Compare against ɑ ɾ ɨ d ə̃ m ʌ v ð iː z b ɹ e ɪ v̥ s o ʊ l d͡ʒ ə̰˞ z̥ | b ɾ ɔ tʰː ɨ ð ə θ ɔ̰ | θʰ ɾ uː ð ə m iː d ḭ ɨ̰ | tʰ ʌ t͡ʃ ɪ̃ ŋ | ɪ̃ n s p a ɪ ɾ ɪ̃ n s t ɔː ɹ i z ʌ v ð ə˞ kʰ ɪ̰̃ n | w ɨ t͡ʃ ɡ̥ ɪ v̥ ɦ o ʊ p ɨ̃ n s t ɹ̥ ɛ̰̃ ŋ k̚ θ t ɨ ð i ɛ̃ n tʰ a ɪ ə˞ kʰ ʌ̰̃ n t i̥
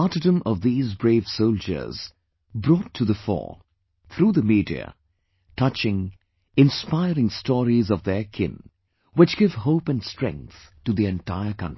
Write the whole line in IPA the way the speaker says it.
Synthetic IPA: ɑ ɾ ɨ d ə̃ m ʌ v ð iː z b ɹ e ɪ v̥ s o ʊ l d͡ʒ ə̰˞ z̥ | b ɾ ɔ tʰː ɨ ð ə f ɔ̰ | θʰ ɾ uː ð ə m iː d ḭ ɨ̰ | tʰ ʌ t͡ʃ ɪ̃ ŋ | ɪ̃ n s p a ɪ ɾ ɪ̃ ŋ s t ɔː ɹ i z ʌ v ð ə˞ kʰ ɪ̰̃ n | w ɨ t͡ʃ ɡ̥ ɪ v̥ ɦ o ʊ p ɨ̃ n s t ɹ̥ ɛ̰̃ ŋ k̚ θ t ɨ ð i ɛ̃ n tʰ a ɪ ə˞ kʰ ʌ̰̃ n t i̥